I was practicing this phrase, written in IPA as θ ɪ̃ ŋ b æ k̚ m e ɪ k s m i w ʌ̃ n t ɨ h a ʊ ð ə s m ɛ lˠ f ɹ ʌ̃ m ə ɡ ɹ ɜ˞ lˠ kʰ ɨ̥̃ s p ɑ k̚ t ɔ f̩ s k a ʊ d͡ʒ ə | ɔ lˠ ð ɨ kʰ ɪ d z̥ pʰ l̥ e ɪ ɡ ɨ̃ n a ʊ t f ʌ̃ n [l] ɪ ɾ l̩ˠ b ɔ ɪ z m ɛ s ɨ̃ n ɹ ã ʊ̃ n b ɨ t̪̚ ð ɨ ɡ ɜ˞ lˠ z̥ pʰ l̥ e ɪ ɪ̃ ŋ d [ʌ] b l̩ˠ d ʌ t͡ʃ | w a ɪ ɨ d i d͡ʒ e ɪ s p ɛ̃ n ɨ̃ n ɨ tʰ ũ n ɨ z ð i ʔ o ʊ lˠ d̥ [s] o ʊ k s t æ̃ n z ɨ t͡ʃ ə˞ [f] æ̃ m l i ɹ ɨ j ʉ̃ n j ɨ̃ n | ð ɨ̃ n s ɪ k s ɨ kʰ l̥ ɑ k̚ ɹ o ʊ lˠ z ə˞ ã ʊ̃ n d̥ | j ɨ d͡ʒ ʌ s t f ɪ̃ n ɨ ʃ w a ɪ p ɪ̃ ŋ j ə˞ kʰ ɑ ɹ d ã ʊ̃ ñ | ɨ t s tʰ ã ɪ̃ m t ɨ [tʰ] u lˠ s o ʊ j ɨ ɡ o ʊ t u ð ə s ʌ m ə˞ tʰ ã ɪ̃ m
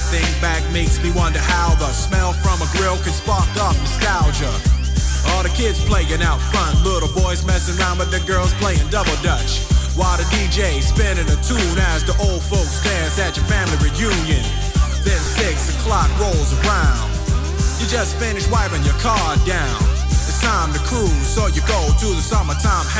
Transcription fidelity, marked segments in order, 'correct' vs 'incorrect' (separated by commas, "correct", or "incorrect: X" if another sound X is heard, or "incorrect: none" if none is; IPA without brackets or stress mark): correct, correct, incorrect: f, correct, incorrect: kʰ